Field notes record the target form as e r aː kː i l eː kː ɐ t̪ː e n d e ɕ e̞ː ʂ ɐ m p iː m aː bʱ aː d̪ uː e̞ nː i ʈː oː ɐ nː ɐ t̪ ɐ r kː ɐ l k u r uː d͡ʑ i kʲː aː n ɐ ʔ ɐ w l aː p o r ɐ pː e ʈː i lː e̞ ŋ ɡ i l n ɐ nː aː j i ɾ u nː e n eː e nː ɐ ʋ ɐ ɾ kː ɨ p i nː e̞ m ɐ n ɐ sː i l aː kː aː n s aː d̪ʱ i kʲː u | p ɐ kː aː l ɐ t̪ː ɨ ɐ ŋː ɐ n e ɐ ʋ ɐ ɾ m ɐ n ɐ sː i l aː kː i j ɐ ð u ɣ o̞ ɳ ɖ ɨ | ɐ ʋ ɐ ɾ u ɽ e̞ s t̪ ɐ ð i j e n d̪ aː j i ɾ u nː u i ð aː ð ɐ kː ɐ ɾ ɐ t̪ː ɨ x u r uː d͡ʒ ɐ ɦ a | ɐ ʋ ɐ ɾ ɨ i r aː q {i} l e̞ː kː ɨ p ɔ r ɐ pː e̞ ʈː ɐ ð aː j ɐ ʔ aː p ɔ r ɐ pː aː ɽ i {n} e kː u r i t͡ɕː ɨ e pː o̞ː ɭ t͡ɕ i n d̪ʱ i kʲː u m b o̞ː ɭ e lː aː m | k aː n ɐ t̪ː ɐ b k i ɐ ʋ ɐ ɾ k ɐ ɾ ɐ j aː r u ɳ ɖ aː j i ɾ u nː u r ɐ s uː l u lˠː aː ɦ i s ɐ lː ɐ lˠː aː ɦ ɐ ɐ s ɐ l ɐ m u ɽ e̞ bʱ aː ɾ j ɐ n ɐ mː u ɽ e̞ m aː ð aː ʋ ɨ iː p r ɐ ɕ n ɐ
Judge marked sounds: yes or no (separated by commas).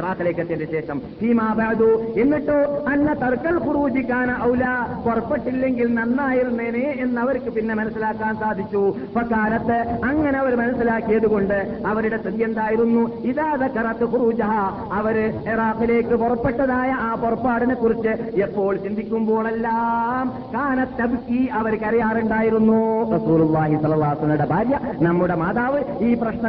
yes, yes